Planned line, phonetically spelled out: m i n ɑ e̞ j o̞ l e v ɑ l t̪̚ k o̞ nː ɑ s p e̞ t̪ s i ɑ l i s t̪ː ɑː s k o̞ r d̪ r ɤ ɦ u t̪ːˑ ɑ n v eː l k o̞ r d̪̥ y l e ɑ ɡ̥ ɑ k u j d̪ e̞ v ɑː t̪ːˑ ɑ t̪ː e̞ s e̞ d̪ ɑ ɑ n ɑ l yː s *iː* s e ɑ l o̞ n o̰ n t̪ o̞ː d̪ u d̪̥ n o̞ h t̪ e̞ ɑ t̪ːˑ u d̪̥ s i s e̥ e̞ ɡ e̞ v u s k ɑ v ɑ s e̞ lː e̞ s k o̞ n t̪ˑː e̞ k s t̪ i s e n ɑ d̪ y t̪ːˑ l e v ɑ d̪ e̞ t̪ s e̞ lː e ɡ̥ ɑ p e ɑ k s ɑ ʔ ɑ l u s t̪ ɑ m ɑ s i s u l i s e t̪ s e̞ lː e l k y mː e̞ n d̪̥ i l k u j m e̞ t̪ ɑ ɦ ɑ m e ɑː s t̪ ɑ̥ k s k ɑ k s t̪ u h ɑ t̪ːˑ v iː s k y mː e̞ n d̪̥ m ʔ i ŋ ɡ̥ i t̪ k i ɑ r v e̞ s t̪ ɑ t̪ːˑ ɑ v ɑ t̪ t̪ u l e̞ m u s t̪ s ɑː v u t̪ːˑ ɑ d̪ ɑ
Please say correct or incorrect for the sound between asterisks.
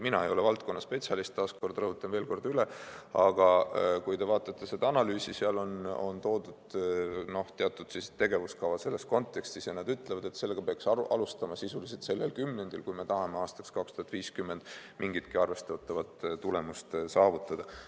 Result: incorrect